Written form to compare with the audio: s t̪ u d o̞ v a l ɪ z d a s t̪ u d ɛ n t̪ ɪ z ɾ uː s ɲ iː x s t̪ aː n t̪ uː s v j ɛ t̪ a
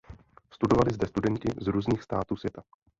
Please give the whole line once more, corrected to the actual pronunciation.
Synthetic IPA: s t̪ u d o̞ v a l ɪ z d ɛ s t̪ u d ɛ n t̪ ɪ z ɾ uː z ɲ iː x s t̪ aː t̪ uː s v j ɛ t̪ a